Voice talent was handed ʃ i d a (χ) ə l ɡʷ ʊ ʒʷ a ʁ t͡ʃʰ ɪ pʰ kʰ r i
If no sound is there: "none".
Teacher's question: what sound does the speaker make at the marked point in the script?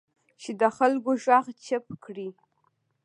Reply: χ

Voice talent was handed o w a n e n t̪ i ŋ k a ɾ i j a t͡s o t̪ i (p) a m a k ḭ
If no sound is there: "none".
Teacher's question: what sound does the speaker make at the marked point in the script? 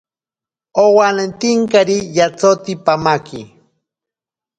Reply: p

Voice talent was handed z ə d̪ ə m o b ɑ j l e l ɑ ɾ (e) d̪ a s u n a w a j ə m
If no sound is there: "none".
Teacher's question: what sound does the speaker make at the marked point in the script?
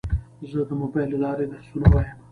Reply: e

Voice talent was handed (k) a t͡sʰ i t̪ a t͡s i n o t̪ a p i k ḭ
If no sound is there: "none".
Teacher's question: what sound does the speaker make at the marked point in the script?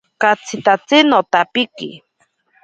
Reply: k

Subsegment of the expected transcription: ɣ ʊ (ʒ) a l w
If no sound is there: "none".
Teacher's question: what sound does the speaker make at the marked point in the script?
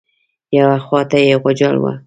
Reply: d͡ʒ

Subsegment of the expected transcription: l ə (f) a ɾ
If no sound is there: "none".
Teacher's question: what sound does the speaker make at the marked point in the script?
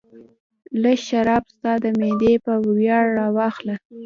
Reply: ʃ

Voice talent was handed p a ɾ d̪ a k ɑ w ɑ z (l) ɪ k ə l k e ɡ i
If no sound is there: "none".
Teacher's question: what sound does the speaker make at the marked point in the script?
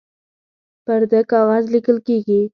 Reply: l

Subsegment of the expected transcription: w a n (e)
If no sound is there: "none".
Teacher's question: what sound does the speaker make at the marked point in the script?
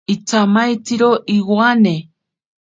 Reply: e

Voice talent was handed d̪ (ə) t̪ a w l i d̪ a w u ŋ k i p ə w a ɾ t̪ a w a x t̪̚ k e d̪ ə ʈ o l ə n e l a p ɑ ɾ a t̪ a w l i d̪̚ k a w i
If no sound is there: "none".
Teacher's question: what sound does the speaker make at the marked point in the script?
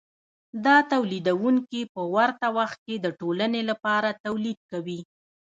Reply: ɑ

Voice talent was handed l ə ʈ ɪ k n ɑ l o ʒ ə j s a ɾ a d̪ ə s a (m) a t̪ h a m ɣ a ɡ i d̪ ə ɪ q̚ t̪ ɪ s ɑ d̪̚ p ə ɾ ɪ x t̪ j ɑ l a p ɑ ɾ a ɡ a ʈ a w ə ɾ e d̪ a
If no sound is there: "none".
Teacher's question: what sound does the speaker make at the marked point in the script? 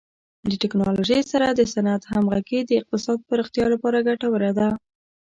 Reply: n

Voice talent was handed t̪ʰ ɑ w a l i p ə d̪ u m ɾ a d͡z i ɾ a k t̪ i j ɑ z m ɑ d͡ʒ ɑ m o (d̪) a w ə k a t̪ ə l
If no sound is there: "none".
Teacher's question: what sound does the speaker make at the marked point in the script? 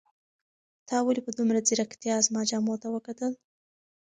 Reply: t̪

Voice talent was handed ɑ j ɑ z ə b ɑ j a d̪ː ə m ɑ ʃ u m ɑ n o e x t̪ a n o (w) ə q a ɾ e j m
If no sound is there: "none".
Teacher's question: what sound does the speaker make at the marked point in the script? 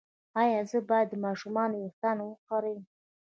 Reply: w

